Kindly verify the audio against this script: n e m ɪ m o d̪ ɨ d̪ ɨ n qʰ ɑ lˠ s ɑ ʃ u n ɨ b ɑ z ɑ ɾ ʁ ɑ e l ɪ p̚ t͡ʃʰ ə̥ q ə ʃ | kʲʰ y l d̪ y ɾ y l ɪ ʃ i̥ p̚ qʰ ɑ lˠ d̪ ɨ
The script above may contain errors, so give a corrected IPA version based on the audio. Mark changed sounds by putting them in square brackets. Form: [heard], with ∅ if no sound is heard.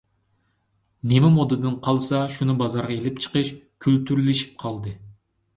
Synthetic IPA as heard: n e m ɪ m o d̪ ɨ d̪ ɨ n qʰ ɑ lˠ s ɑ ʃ u n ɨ b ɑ z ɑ ɾ ʁ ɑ e l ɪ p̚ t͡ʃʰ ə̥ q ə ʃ | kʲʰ y l [t̪] y ɾ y l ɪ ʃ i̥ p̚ qʰ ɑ lˠ d̪ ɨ